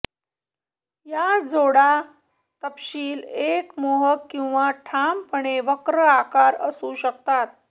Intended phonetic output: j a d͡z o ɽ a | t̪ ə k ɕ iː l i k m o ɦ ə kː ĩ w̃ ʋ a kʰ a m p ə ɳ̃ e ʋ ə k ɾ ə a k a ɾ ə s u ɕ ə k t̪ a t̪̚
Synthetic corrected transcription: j a d͡z o ɽ a | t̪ ə p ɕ iː l e k m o ɦ ə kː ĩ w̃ ʋ a ʈʰ a m p ə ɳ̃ e ʋ ə k ɾ ə a k a ɾ ə s u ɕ ə k t̪ a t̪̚